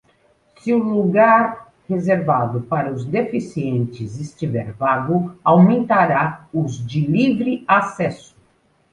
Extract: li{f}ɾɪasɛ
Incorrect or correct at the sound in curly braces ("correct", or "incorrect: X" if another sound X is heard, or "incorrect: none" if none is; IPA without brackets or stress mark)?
incorrect: v